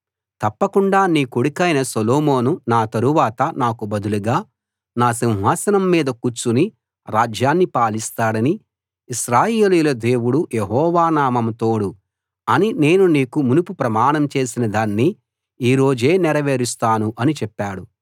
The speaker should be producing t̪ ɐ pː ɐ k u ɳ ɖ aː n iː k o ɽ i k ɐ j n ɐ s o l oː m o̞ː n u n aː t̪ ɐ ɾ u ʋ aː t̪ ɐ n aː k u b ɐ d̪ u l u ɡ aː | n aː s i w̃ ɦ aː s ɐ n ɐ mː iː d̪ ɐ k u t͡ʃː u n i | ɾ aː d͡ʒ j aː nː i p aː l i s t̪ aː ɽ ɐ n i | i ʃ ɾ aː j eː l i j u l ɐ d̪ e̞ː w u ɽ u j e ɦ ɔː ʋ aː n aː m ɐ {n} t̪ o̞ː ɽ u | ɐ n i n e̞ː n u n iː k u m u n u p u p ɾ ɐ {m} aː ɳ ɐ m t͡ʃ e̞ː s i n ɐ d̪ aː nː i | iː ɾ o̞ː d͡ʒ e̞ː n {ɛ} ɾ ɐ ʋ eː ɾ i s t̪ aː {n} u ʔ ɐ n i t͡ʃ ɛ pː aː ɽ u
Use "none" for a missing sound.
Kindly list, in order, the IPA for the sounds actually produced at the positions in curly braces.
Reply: m, m, ɛ, n

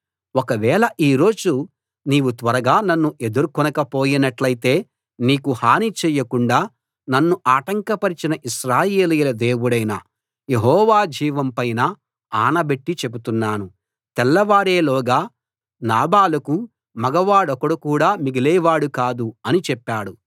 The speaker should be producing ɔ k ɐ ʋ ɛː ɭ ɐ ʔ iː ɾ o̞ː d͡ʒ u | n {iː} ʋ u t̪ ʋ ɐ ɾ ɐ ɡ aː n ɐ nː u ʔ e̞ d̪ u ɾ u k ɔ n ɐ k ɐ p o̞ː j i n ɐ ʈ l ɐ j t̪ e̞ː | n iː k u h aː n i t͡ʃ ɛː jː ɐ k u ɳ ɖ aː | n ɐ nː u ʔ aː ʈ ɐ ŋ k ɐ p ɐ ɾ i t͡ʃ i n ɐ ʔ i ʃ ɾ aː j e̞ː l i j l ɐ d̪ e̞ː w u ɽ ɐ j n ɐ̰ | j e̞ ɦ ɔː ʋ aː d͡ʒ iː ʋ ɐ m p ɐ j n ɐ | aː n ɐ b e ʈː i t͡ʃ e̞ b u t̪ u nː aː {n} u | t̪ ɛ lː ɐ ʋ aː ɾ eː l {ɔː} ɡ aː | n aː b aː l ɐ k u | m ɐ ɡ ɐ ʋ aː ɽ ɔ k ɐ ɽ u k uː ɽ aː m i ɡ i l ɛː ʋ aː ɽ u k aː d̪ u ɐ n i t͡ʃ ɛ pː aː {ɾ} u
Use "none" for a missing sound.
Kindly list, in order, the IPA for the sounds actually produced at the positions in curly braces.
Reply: iː, n, ɔː, ɽ

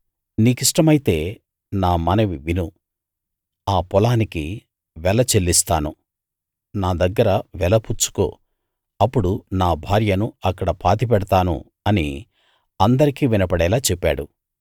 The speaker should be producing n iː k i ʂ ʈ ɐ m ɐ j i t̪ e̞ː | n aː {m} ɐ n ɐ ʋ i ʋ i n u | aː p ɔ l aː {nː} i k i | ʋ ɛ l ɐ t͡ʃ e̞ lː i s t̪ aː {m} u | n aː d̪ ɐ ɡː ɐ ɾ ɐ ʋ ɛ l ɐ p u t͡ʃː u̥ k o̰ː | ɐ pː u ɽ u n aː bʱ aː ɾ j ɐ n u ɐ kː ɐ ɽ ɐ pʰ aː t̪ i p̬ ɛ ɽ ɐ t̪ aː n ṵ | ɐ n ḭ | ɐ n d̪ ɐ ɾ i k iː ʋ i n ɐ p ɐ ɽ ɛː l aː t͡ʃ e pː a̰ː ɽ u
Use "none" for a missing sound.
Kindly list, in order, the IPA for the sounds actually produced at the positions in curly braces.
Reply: m, n, n

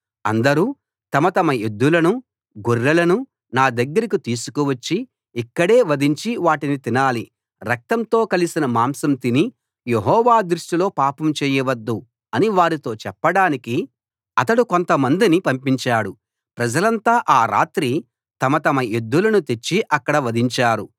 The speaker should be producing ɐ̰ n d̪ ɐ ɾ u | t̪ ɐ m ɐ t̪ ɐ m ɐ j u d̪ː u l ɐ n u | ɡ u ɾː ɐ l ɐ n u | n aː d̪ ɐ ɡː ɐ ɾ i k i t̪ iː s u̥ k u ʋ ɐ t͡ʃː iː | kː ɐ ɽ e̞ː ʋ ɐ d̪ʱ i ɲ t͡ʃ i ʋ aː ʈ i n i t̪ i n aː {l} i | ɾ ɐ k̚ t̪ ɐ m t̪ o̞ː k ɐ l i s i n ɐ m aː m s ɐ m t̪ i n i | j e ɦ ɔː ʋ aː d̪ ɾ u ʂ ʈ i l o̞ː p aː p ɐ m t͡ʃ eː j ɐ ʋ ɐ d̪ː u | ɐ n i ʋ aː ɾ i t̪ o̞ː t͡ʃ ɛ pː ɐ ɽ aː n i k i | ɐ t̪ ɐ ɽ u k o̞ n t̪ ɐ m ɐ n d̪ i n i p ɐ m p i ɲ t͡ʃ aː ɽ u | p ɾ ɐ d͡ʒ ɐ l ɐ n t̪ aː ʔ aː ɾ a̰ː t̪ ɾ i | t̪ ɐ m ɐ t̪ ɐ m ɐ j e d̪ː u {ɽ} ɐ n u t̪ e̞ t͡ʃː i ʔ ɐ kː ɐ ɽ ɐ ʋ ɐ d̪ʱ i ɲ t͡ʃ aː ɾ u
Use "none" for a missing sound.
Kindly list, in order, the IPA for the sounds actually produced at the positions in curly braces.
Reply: l, l

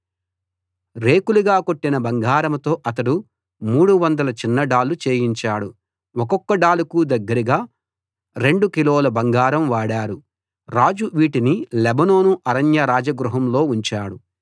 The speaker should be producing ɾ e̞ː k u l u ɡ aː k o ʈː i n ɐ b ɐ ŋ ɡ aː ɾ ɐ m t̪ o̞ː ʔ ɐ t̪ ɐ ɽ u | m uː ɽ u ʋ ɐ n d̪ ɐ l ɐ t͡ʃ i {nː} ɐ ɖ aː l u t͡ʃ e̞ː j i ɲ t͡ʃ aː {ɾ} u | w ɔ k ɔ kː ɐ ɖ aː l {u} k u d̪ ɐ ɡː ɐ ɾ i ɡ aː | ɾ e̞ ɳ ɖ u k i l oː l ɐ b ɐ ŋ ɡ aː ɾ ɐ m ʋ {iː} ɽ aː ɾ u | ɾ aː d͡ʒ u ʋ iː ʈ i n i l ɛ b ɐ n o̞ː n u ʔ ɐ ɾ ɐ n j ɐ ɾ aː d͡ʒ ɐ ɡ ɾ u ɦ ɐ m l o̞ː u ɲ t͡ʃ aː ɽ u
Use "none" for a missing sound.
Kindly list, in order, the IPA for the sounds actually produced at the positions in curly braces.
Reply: nː, ɽ, u, aː

